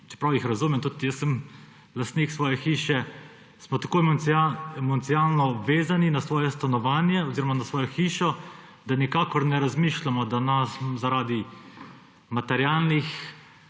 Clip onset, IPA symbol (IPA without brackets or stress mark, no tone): t͡ʃ